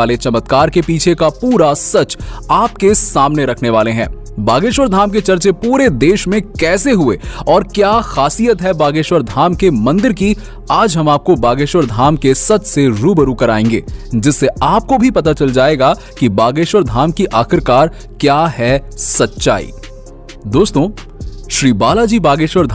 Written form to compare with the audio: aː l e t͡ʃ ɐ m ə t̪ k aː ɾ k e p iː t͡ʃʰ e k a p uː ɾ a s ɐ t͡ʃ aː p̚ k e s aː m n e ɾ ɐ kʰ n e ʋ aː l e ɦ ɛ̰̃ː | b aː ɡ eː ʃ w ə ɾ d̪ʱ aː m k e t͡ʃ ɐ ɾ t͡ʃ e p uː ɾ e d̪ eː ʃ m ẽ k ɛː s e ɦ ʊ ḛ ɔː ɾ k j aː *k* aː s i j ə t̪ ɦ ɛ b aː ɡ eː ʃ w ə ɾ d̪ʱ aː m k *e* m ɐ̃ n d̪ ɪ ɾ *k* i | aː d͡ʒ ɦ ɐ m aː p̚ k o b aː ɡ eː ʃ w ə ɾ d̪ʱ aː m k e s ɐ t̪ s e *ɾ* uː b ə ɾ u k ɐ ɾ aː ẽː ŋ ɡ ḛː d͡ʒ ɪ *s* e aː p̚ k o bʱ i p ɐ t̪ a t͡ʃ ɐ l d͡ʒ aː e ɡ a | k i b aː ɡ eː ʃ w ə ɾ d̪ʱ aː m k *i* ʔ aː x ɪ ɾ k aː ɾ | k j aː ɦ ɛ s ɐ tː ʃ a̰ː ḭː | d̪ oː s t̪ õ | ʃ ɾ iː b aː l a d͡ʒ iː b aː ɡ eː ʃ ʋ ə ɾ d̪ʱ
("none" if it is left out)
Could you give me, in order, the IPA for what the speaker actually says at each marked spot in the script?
x, e, k, ɾ, sː, i

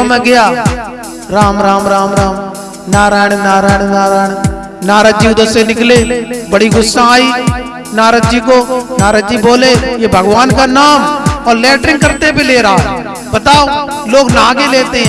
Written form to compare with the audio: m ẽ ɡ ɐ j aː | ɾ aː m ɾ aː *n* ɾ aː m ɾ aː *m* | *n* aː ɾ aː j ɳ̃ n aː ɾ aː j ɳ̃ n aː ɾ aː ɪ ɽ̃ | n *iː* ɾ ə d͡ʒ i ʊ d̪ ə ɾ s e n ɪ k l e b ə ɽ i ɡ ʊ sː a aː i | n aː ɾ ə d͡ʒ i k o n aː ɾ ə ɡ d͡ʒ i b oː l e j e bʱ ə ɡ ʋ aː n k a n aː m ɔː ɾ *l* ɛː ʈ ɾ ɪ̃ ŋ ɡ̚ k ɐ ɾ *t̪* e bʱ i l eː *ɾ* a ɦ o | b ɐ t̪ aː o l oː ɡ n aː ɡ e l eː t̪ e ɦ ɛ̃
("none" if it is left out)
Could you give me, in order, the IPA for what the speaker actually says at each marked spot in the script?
m, m, n, aː, l, t̪, ɾ

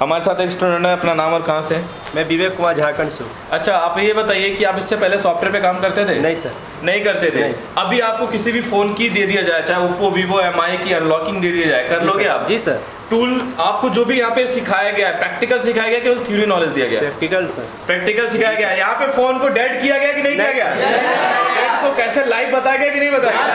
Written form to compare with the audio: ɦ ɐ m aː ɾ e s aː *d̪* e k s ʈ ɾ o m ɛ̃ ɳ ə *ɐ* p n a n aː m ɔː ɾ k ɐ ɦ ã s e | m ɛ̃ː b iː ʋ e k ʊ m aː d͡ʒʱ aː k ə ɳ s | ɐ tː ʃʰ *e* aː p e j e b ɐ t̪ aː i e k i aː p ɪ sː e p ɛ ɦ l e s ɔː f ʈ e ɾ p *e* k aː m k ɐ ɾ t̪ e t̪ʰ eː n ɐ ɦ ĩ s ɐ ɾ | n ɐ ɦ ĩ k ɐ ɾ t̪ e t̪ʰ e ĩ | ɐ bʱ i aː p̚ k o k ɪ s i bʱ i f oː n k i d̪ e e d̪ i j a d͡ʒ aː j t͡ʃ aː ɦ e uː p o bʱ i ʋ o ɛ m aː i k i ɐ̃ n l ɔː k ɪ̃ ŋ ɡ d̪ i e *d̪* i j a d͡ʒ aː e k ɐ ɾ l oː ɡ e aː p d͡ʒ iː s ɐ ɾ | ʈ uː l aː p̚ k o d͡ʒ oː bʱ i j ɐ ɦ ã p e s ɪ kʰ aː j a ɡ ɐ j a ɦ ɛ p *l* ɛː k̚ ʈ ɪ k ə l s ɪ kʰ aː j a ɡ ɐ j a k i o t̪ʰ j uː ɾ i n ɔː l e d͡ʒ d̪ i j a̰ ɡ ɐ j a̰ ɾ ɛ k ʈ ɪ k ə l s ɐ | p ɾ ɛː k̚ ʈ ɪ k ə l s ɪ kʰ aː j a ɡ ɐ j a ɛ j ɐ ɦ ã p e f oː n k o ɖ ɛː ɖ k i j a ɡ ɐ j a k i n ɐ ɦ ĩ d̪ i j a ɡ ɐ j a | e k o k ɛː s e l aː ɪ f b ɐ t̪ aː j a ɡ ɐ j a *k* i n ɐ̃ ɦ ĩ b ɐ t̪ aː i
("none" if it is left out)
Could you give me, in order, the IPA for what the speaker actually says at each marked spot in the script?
t̪, ɐ, a, e, d̪, ɾ, k

